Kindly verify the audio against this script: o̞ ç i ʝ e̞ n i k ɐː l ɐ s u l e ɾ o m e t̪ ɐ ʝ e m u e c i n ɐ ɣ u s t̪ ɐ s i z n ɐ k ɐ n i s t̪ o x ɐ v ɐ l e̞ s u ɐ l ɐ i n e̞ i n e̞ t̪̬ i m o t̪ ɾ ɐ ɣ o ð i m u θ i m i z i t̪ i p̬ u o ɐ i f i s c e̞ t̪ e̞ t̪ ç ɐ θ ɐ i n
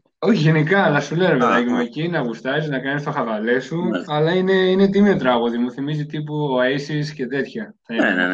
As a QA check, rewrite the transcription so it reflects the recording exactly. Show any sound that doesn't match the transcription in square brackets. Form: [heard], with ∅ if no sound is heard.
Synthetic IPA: o̞ ç i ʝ e̞ n i k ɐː l ɐ s u l e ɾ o m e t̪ ɐ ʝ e m u e c i n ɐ ɣ u s t̪ ɐ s i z n ɐ k ɐ n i s t̪ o x ɐ v ɐ l e̞ s u ɐ l ɐ i n e̞ i n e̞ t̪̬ i m o t̪ ɾ ɐ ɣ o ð i m u θ i m i z i t̪ i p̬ u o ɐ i [s] i s c e̞ t̪ e̞ t̪ ç ɐ θ ɐ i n